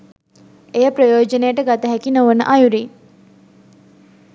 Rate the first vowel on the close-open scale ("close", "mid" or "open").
mid